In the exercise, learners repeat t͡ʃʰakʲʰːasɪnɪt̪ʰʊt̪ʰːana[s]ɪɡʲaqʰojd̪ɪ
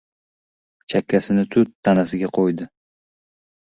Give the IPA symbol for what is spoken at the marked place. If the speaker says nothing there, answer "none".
s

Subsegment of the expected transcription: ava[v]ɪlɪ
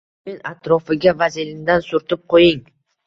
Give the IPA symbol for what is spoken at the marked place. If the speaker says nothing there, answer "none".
z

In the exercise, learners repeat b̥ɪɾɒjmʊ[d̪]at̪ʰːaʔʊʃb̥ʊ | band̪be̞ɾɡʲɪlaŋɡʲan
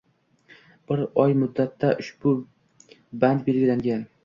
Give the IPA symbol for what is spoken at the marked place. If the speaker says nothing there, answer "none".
d̪ː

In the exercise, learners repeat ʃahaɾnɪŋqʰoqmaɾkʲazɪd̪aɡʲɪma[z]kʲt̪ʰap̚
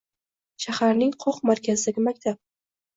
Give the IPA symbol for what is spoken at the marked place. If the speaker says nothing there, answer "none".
none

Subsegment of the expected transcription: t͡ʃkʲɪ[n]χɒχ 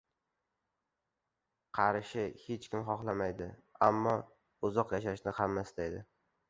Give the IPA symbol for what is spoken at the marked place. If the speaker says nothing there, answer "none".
m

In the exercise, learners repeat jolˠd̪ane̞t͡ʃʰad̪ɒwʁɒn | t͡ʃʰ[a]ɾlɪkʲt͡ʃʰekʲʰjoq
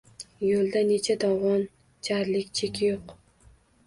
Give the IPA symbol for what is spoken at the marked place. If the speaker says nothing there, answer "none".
a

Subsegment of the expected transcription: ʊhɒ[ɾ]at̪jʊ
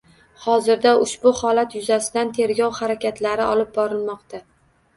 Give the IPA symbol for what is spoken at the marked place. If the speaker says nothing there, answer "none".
l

